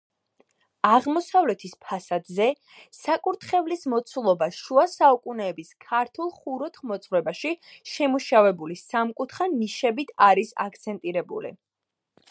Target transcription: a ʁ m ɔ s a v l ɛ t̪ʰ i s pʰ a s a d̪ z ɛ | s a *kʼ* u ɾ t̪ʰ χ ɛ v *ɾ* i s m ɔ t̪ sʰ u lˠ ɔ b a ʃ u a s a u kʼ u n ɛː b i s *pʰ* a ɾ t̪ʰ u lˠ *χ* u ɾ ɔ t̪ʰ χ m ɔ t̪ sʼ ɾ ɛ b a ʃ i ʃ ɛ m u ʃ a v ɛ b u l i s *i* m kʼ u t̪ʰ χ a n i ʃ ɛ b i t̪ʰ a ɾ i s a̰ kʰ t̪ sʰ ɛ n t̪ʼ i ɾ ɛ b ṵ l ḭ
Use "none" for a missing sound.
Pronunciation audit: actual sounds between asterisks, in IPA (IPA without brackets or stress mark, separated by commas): kʼ, l, kʰ, χ, a